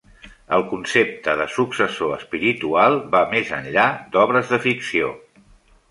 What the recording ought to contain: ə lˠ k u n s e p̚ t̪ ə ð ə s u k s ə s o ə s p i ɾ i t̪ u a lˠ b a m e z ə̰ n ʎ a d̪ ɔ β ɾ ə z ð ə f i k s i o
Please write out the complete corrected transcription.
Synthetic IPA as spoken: ə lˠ k u n s e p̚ t̪ ə ð ə s u k s ə s o ə s p i ɾ i t̪ u a lˠ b a m e z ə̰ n ʎ a d̪ ɔ β ɾ ə z ð ə f i k s i o